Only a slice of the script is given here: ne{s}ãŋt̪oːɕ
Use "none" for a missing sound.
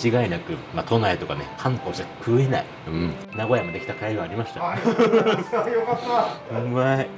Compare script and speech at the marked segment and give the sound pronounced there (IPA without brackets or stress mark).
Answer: h